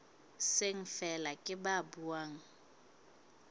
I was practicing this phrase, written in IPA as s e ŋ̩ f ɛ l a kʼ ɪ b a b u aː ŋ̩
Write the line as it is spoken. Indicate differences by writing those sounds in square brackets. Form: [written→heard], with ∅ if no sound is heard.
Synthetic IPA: s e ŋ̩ f ɛ l a kʼ ɪ b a b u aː ŋ̩